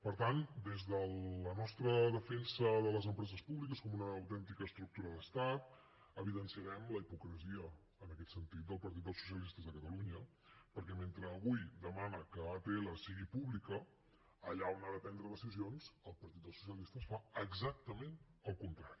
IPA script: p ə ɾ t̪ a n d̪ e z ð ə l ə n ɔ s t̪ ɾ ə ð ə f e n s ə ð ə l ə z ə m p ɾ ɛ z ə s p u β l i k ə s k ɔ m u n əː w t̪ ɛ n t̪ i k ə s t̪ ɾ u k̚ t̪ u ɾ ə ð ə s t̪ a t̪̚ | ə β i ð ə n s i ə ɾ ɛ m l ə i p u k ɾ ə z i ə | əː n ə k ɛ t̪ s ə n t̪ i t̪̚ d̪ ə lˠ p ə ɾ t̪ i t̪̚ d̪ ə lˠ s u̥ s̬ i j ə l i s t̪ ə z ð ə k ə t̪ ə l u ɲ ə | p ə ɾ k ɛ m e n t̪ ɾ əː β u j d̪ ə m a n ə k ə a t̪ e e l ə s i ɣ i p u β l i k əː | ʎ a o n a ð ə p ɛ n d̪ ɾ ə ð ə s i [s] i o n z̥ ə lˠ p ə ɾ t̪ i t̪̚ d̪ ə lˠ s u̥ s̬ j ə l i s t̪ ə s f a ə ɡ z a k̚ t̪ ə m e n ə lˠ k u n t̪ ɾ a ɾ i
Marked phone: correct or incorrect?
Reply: incorrect: z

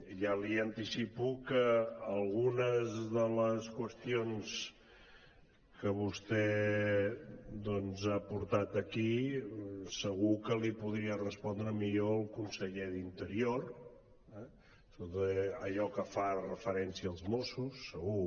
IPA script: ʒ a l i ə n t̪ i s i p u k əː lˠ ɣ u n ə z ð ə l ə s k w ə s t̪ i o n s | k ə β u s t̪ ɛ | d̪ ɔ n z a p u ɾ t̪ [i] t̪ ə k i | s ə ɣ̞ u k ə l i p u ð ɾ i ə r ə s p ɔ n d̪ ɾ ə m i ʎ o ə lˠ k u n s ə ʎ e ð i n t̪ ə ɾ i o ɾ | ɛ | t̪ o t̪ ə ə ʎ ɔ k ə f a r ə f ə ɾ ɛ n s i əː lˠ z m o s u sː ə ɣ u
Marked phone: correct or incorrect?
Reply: incorrect: a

